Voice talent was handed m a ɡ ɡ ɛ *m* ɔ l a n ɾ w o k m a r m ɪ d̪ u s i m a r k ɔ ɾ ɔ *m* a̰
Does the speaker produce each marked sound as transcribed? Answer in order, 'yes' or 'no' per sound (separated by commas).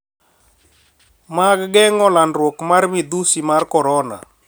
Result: no, no